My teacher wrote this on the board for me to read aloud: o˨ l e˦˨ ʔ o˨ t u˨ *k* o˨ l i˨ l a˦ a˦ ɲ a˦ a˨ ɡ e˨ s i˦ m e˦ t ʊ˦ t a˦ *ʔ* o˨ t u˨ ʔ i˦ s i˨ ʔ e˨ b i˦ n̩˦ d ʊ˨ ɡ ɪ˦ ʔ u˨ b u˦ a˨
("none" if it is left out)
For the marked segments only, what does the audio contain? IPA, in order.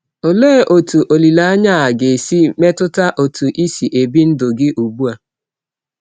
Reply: ʔ, ʔ

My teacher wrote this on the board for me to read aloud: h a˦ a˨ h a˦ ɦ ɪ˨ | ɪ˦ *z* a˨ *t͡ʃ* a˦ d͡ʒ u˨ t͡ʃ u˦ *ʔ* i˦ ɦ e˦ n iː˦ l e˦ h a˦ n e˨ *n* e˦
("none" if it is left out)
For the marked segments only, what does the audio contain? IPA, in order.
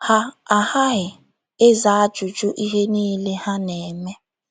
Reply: z, none, ʔ, m

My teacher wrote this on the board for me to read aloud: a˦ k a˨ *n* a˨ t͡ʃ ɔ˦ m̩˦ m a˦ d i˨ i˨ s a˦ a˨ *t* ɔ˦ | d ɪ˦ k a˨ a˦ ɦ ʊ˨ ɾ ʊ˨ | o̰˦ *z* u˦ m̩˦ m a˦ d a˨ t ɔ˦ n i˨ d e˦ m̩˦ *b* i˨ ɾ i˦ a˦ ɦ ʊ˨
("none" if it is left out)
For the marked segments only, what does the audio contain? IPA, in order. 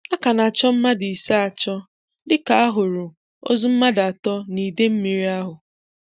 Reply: n, t͡ʃ, z, m

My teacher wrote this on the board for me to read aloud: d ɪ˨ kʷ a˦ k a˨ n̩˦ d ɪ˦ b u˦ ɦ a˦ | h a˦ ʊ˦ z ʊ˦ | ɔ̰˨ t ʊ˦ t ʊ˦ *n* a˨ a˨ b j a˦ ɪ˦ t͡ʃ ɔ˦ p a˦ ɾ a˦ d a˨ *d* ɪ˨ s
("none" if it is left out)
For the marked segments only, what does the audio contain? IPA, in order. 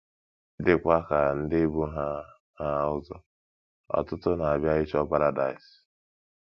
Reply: n, none

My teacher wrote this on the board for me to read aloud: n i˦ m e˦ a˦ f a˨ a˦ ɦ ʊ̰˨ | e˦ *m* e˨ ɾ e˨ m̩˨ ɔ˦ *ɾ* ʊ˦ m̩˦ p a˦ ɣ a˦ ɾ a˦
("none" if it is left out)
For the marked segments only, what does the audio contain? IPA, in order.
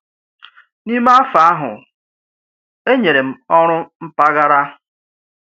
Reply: ɲ, ɾ

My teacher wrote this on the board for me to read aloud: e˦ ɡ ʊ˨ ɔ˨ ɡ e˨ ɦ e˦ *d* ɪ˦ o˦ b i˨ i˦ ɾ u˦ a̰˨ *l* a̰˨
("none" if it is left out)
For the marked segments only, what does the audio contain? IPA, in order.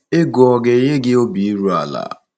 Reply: ɡ, l

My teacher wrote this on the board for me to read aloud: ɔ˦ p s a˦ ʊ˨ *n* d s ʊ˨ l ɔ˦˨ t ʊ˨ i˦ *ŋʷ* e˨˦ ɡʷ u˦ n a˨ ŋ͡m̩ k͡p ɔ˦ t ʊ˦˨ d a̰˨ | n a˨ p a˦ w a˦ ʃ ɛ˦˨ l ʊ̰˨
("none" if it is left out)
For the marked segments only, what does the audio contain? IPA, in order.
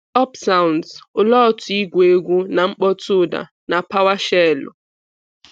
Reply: n, ɡʷ

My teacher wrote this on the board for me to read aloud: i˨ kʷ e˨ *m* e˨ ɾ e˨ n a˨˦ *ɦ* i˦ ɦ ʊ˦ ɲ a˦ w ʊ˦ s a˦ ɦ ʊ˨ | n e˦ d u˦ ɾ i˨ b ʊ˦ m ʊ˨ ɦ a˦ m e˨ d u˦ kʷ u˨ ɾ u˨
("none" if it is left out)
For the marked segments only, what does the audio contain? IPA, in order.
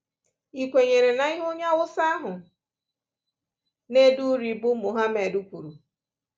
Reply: ɲ, none

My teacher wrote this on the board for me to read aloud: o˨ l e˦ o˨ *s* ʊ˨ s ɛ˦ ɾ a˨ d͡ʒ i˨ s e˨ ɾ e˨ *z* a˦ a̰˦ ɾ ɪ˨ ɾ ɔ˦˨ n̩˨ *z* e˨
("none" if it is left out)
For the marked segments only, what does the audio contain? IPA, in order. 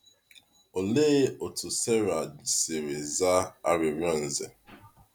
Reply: t, z, z

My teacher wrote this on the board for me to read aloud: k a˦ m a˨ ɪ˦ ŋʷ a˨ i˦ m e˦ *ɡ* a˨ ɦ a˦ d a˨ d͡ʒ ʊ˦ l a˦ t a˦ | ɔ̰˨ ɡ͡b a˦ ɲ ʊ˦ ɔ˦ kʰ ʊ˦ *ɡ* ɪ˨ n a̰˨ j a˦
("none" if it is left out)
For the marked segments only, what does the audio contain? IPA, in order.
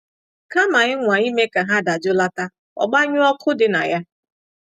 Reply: k, d

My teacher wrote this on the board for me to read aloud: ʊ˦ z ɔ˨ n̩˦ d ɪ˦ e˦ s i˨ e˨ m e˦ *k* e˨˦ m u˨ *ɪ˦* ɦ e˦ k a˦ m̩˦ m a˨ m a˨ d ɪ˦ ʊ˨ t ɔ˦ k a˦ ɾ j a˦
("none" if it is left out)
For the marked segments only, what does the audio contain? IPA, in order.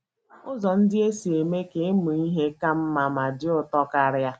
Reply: k, i˦

